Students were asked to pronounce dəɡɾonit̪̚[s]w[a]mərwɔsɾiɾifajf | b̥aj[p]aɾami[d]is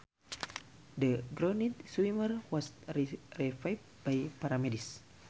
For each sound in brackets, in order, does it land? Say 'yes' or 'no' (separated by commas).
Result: yes, no, yes, yes